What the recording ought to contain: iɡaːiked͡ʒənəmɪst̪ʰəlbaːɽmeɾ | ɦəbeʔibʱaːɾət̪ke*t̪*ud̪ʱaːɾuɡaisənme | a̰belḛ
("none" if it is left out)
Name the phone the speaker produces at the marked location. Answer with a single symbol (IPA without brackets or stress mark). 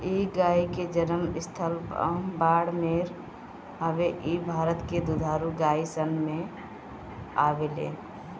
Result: d̪